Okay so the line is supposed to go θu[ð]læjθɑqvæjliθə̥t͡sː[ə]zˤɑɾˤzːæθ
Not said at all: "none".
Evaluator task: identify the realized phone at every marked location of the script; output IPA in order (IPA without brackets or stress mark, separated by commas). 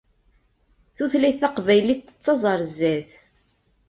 θ, ɑ